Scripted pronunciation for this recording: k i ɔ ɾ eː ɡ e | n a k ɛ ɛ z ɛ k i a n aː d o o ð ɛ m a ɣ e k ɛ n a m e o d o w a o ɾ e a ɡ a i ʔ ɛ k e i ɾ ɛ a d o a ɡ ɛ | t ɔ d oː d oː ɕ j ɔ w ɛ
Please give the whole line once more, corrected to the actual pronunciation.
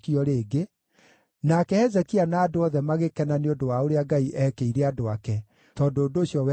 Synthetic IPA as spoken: k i ɔ ɾ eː ɡ e | n a k ɛ ɛ z ɛ k i a n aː d o ɔ ð ɛ m a ɣ e k ɛ n a n e o d o w a o ɾ e a ɡ a i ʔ ɛ k e i ɾ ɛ a d o a k ɛ | t ɔ d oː d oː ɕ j ɔ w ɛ